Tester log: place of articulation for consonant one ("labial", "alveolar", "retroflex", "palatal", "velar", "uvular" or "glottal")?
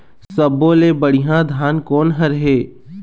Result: alveolar